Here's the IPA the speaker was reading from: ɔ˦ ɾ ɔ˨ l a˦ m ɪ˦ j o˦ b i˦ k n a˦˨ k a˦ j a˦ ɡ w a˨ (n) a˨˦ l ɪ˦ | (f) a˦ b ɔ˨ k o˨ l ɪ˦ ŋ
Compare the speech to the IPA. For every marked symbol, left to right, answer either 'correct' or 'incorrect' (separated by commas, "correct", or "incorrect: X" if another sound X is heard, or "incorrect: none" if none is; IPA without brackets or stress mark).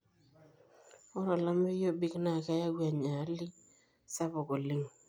incorrect: ɲ, incorrect: s